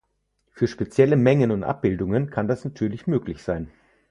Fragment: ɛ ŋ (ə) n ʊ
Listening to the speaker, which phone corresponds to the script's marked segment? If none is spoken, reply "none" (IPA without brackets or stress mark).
ə